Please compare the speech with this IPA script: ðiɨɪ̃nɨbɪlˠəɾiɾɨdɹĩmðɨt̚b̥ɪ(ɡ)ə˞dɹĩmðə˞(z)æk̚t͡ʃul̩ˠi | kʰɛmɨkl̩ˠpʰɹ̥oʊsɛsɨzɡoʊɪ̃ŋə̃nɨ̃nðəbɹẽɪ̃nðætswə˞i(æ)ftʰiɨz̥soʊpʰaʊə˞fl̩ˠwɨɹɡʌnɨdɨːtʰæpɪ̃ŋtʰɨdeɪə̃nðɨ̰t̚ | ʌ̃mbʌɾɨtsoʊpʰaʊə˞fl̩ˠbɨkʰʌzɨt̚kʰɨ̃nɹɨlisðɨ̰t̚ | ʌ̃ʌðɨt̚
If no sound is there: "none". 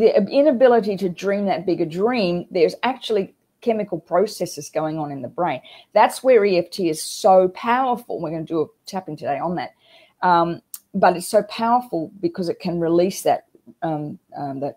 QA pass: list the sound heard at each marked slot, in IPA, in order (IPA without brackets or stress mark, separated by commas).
ɡ, z, ɛ